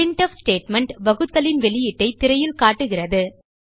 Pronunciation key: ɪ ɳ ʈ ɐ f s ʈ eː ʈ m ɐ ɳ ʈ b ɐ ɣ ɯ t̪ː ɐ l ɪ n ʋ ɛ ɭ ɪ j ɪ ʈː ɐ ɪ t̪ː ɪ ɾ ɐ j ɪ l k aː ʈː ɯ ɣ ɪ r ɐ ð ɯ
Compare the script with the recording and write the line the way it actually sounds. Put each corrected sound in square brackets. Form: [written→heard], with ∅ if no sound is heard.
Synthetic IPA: ɪ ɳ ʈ ɐ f s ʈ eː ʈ m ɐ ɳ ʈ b ɐ ɣ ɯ t̪ː ɐ l ɪ n ʋ ɛ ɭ ɪ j ɪ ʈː ɐ ɪ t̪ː ɪ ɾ ɐ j ɪ l k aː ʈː ɯ ɣ ɪ r ɐ ð ɯ